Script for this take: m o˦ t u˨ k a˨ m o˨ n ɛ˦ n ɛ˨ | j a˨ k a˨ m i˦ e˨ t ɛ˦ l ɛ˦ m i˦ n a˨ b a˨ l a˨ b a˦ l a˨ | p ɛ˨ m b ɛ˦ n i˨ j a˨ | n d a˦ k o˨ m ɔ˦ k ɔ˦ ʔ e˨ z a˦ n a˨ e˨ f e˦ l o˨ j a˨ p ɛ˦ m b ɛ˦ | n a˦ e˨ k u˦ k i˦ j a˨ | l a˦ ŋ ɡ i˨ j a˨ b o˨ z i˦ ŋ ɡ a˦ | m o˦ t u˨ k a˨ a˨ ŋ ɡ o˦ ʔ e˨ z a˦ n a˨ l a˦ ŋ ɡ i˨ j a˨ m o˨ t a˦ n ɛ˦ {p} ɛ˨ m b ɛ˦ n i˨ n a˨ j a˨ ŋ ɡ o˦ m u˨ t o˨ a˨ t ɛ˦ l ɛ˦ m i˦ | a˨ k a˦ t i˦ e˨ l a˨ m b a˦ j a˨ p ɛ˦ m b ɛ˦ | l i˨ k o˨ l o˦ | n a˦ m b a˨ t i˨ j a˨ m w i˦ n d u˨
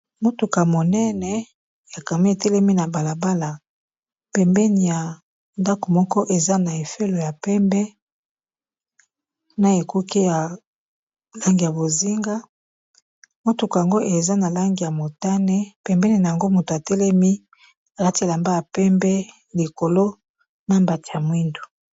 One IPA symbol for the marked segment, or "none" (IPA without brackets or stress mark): p